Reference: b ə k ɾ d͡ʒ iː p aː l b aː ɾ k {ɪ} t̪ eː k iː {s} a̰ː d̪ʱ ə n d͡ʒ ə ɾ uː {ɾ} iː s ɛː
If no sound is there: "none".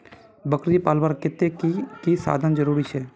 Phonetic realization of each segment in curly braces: ɪ, s, ɾ

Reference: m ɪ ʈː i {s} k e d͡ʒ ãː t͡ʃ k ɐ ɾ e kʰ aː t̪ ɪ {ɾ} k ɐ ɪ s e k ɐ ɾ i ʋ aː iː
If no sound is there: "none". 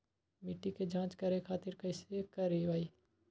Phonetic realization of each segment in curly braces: none, ɾ

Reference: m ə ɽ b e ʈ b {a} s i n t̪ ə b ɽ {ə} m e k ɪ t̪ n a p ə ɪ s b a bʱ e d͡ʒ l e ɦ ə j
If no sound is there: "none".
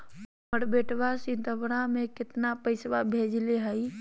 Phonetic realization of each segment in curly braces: a, a

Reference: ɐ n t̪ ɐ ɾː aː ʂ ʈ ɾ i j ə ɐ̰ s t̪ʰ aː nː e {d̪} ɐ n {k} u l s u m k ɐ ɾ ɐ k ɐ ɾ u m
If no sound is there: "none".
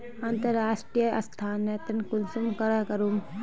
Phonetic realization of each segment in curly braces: t̪, k

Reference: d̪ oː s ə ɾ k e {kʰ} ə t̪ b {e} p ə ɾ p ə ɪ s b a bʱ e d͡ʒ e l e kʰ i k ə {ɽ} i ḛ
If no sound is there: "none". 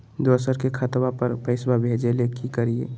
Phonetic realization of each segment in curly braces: kʰ, a, ɾ

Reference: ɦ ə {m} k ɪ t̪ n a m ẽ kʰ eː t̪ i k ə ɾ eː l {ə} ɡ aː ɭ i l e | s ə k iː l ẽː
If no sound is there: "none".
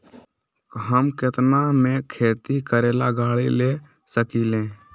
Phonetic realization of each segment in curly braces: m, a

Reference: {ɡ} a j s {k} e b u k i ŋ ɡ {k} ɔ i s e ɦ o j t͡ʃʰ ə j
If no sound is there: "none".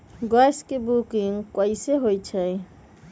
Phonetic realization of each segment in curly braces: ɡ, k, k

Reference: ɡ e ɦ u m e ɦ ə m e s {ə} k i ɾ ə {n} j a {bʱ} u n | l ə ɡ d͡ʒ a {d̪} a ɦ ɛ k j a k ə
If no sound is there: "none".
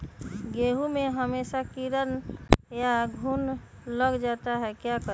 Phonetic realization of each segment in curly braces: a, n, ɡʱ, t̪

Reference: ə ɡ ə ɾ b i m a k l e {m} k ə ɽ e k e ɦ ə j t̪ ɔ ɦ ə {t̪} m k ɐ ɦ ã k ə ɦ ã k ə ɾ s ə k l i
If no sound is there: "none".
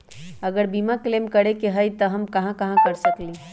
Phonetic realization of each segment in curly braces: m, none

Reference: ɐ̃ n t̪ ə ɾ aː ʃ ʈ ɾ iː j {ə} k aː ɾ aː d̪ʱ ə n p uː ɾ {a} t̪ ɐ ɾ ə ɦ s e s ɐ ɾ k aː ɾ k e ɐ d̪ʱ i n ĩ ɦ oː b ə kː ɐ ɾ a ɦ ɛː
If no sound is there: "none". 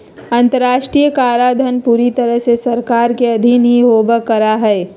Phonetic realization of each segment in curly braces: ə, i

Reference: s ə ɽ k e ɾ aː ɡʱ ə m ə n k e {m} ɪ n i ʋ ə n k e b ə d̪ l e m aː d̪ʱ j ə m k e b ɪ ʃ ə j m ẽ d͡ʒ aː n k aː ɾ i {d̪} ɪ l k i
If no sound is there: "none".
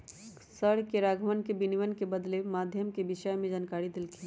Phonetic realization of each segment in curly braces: b, d̪

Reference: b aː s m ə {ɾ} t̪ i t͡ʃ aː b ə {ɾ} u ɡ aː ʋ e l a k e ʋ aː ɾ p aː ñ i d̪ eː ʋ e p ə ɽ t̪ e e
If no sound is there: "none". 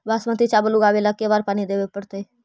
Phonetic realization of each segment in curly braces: none, l

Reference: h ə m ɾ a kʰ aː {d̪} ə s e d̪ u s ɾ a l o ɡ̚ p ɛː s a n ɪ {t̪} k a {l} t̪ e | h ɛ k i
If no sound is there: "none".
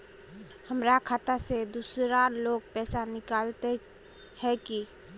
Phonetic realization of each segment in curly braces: t̪, none, l

